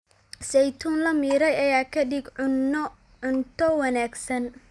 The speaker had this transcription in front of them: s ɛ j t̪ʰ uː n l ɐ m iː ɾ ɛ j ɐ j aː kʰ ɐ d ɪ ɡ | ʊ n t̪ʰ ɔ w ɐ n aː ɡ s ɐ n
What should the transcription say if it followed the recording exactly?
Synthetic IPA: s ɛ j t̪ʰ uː n l ɐ m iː ɾ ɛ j ɐ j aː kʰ ɐ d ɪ ɡ | ʊ n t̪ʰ ɔ w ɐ n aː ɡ s ɐ n